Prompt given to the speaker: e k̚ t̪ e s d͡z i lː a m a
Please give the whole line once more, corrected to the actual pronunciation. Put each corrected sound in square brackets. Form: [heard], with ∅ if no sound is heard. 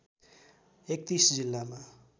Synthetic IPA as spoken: e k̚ t̪ [i] s d͡z i lː a m a